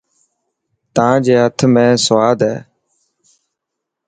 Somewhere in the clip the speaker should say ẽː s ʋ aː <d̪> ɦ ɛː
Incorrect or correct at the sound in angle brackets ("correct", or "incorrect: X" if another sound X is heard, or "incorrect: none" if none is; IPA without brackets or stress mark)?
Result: correct